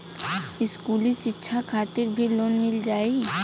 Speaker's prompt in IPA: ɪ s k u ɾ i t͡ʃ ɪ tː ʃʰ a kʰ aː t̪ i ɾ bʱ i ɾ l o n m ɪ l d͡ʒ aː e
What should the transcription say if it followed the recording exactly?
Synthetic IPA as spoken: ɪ s k u l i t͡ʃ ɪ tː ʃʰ a kʰ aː t̪ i ɾ bʱ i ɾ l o n m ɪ l d͡ʒ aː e